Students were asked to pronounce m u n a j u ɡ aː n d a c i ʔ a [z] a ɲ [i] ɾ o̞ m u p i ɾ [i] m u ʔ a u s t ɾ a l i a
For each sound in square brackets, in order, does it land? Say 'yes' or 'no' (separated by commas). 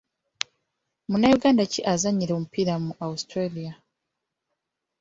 yes, yes, no